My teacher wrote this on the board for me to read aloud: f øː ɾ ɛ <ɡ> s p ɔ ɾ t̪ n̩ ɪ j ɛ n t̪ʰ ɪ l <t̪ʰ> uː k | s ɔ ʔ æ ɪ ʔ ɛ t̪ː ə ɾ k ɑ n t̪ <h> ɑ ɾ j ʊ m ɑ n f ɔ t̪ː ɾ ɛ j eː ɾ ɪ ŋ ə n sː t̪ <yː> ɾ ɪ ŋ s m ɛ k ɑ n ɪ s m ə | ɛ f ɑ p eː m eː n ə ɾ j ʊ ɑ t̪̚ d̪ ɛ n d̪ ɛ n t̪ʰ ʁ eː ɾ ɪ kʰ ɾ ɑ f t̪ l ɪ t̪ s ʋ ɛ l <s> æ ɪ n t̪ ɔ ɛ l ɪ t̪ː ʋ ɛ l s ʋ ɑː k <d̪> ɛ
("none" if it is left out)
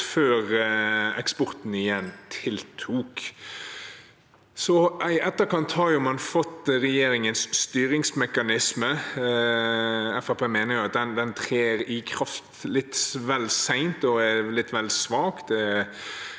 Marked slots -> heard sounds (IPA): k, t̪ʰ, h, yː, s, d̪

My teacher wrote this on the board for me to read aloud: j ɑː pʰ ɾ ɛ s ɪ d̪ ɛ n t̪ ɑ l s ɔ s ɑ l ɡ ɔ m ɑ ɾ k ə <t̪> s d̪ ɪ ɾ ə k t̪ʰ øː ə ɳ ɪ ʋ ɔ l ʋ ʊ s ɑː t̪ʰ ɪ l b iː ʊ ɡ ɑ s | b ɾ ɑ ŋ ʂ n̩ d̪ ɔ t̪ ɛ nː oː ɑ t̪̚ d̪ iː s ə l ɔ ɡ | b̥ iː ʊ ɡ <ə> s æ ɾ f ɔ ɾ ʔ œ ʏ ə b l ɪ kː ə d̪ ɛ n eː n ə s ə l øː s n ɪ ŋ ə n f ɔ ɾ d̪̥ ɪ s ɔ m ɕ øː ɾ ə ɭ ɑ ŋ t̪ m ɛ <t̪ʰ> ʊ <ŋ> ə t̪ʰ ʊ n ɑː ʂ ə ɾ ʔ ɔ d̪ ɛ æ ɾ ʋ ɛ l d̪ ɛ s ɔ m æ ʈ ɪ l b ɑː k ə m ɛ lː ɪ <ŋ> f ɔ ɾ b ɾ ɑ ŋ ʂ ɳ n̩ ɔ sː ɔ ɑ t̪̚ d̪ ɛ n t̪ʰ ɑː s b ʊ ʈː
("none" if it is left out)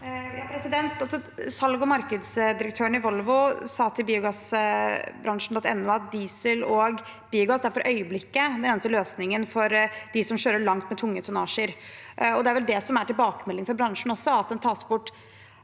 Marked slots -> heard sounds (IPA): d̪, ɑ, t̪ʰ, ŋː, ŋ

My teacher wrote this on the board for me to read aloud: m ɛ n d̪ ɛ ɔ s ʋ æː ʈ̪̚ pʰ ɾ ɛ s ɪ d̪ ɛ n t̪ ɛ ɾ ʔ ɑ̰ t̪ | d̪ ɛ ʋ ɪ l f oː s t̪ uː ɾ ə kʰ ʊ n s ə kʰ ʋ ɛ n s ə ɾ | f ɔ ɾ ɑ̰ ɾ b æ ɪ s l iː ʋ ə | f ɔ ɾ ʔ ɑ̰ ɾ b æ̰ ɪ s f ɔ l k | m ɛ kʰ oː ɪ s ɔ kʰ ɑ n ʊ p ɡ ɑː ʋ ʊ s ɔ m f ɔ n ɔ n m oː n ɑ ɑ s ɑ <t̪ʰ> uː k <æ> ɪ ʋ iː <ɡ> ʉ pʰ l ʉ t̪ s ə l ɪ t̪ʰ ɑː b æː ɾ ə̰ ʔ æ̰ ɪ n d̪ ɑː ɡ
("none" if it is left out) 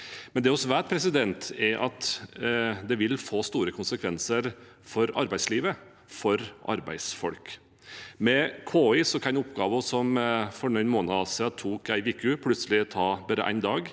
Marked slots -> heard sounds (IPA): t̪ʰ, æ, k

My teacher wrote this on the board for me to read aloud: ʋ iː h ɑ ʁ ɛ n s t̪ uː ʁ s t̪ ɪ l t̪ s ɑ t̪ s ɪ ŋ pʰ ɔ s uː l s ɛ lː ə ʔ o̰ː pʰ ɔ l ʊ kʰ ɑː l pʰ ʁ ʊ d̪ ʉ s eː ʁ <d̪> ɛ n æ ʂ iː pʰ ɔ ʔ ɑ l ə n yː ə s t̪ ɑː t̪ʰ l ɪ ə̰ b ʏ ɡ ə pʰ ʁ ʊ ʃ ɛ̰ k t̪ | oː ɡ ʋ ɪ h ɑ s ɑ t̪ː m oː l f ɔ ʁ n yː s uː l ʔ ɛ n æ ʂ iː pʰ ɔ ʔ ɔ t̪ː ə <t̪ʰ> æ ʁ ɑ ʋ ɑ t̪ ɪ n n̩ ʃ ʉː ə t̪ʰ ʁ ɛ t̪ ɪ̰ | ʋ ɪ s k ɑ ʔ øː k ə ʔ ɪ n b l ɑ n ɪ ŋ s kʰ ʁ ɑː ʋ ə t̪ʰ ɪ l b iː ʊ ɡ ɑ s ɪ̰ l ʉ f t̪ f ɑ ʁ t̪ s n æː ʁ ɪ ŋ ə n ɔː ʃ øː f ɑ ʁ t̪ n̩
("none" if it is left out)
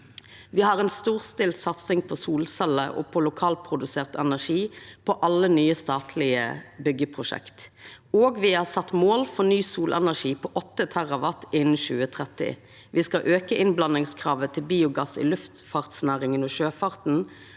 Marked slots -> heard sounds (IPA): t̪, t̪ʰ

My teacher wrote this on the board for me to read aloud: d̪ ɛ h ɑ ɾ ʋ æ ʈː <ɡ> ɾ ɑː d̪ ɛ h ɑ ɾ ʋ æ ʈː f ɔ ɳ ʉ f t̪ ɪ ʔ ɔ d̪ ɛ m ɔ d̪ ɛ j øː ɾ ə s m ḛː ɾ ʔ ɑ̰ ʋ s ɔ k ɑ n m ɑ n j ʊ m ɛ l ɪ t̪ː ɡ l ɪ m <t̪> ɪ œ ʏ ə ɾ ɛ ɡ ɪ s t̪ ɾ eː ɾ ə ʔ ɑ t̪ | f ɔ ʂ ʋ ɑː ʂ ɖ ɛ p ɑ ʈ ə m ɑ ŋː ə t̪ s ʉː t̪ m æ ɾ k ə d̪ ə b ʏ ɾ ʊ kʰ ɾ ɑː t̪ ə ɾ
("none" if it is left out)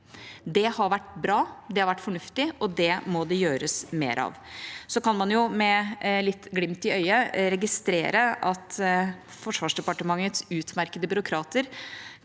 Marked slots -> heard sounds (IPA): b, t̪

